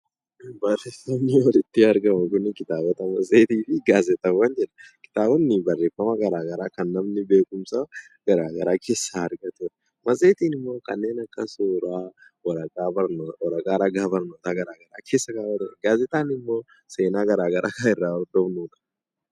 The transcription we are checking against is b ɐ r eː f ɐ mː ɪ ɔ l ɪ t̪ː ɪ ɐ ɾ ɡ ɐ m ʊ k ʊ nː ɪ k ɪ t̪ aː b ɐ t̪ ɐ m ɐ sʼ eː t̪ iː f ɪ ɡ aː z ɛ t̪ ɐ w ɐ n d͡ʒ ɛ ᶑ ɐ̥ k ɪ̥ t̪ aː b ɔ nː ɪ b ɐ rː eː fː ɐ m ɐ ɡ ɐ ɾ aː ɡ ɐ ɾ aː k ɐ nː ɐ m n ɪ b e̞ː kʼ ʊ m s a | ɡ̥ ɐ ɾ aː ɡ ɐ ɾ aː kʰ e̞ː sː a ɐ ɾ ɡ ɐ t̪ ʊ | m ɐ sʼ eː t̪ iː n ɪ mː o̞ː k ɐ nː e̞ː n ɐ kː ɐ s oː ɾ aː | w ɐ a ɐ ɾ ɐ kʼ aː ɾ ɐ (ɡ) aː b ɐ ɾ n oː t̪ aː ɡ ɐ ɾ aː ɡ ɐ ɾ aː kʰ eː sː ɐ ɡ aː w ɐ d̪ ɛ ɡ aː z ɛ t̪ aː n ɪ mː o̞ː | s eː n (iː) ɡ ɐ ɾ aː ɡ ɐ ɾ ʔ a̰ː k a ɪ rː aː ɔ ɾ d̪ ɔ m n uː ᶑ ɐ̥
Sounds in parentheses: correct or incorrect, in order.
correct, incorrect

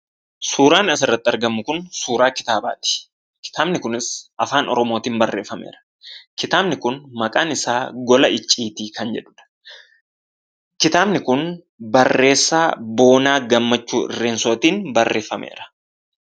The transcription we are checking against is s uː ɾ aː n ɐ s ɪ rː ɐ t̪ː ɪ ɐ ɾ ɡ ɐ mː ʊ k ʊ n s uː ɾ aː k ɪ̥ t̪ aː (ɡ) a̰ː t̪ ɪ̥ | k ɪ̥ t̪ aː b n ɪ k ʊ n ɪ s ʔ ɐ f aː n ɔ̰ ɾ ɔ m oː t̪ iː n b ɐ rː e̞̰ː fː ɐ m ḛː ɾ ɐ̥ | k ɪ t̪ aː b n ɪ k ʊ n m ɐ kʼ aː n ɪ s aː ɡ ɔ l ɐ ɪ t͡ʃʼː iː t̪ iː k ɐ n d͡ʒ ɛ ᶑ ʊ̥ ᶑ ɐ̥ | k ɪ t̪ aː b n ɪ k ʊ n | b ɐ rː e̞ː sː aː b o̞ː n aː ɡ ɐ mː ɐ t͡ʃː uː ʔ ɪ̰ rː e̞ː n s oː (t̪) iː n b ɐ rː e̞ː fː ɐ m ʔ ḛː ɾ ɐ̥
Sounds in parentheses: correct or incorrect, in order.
incorrect, correct

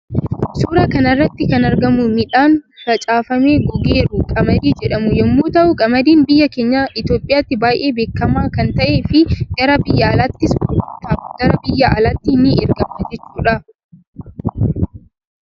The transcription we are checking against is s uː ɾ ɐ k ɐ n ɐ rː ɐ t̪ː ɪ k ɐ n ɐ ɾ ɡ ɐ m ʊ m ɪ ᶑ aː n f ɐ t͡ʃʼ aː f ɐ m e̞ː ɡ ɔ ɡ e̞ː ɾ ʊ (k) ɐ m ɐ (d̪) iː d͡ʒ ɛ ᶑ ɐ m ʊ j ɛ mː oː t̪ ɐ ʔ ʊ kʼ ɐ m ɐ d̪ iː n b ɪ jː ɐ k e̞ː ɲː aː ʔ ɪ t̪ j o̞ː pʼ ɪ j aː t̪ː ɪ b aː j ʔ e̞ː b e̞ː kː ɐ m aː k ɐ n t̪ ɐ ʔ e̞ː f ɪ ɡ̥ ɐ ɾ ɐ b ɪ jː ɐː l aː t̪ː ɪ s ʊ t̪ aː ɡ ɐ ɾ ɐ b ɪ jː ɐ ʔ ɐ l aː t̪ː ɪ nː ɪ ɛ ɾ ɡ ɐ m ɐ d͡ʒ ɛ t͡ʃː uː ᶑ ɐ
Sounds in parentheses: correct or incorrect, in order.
incorrect, correct

